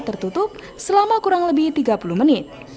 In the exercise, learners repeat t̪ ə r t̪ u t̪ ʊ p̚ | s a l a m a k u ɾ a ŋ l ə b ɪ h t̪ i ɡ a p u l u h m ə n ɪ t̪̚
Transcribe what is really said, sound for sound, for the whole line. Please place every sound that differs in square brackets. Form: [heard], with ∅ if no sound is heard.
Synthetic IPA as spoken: t̪ ə r t̪ u t̪ ʊ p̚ | s [ə] l a m a k u ɾ a ŋ l ə b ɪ h t̪ i ɡ a p u l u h m ə n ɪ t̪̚